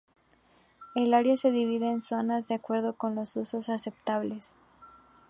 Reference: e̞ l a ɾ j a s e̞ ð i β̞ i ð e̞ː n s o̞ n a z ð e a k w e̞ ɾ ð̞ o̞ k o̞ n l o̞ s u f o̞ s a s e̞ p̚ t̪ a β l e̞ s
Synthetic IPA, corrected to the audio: e̞ l a ɾ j a s e̞ ð i β̞ i ð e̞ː n s o̞ n a z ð e a k w e̞ ɾ ð̞ o̞ k o̞ n l o̞ s u s o̞ s a s e̞ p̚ t̪ a β l e̞ s